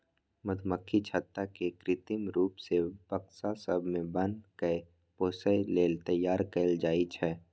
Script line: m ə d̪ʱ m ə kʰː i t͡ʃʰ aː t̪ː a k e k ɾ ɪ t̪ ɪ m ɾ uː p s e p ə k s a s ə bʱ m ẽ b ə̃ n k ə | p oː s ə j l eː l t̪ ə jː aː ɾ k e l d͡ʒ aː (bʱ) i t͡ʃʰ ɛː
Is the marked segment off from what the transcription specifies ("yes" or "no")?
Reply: yes